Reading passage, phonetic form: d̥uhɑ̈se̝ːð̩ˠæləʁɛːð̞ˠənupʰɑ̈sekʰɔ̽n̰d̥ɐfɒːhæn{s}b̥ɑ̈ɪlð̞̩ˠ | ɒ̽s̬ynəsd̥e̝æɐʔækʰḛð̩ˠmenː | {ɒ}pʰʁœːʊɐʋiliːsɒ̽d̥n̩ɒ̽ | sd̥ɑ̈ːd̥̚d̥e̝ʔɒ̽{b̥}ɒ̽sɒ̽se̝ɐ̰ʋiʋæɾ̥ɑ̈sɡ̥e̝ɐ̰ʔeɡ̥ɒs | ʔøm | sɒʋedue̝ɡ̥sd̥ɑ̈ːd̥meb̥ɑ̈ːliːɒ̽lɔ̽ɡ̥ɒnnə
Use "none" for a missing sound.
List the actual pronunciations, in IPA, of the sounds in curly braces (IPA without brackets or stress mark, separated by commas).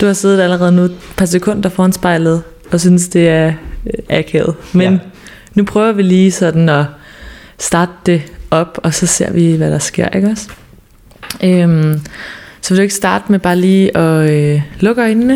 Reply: s, u, b̥